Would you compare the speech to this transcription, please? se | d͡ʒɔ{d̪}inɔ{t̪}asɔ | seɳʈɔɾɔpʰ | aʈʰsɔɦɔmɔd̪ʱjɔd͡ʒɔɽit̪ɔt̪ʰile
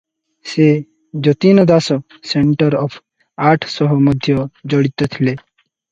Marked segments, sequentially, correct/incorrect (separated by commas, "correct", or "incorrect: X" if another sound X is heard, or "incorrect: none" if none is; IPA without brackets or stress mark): incorrect: t̪, incorrect: d̪